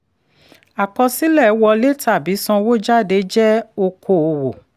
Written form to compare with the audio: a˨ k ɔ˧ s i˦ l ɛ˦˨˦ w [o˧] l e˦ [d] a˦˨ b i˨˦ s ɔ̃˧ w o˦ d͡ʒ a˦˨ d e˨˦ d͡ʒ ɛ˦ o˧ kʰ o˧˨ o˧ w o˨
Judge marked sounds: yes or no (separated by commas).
no, no